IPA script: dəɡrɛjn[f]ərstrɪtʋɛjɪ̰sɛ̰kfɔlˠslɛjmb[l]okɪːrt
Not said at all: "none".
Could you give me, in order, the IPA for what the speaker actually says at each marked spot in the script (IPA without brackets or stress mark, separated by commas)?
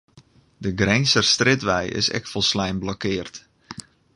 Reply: s, l